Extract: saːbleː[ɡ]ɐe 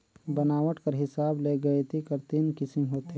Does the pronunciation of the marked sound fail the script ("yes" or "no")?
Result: no